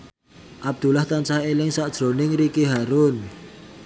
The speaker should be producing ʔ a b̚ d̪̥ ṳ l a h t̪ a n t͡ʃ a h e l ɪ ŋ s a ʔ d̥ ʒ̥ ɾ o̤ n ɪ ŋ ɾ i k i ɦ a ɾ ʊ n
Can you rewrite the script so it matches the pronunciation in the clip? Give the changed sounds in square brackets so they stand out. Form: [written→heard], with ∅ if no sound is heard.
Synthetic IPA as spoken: ʔ a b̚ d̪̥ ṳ l a h t̪ a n t͡ʃ a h e l ɪ ŋ s a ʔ d̥ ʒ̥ ɾ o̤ n ɪ ŋ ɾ i k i ɦ a ɾ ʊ n